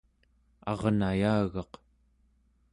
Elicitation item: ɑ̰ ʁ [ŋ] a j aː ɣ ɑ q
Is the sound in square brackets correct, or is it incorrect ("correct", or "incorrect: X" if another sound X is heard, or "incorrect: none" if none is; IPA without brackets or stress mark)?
incorrect: n